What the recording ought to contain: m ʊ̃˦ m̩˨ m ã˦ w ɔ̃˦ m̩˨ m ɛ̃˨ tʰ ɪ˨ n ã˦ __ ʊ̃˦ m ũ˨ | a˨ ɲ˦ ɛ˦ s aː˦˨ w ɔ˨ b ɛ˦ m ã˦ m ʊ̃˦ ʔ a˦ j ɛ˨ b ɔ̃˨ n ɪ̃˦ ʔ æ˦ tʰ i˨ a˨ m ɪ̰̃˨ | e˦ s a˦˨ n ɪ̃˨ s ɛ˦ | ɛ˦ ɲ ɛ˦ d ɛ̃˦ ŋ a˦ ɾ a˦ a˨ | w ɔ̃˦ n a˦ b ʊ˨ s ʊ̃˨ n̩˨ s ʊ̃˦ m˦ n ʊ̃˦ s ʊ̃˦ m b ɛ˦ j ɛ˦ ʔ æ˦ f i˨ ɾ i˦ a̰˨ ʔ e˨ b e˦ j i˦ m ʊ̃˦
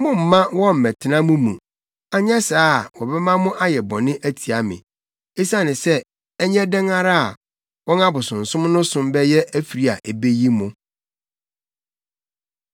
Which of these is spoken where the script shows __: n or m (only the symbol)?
m